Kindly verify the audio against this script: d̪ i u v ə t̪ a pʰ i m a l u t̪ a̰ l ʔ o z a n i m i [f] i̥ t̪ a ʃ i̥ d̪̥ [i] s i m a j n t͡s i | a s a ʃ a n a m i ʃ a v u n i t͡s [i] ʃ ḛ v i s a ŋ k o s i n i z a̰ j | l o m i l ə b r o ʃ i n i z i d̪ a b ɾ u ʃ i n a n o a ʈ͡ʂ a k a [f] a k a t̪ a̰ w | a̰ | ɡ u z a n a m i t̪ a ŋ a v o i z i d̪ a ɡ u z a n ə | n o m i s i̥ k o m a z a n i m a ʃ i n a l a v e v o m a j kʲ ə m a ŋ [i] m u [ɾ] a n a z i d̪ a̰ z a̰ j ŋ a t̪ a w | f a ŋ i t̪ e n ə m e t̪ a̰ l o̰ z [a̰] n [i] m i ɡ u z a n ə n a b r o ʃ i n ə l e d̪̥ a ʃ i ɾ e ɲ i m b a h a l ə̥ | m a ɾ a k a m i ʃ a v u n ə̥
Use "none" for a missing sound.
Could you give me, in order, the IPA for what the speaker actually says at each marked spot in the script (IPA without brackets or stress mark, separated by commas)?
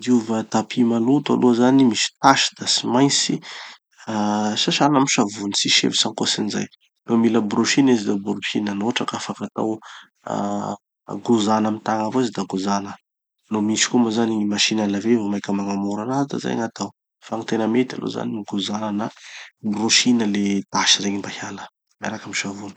s, a, i, f, a, ɾ, a̰, i